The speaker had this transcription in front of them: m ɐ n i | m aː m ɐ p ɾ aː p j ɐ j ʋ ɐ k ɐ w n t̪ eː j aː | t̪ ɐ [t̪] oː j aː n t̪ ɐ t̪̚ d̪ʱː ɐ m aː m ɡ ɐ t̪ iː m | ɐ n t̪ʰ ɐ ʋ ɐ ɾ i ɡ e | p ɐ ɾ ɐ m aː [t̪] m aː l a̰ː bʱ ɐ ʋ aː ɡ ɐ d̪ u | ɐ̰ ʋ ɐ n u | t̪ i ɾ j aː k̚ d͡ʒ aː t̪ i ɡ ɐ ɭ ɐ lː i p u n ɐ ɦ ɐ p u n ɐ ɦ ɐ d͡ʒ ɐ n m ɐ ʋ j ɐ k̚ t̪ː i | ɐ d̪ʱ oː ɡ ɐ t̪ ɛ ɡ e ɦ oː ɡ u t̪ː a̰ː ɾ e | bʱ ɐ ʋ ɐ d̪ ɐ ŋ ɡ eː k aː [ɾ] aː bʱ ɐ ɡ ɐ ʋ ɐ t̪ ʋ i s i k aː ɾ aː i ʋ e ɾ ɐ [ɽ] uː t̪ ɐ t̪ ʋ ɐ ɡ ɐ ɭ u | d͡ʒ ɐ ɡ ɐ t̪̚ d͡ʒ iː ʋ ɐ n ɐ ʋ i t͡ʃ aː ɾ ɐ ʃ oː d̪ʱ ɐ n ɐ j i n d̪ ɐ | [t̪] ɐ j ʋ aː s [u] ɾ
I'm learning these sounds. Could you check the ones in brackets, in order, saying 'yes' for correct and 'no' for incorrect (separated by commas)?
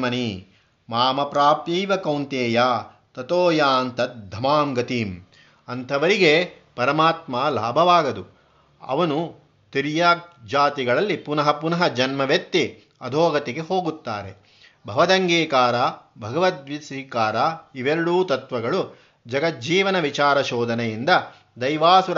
yes, yes, yes, yes, no, yes